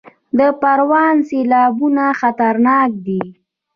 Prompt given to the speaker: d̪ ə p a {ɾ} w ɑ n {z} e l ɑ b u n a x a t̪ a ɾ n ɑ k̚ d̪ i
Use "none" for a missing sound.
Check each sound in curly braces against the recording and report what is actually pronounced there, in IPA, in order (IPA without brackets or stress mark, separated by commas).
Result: ɾ, s